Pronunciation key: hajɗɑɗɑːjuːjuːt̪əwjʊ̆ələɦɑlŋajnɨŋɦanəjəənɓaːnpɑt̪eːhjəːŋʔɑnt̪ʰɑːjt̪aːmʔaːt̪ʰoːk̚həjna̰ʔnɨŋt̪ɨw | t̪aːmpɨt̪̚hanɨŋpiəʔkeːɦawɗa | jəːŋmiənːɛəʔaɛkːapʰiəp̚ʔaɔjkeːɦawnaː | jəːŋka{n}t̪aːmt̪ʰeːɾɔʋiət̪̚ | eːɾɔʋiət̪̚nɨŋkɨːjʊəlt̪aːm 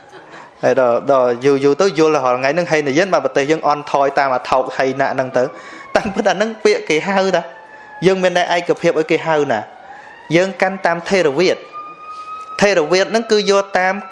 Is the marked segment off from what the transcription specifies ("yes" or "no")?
no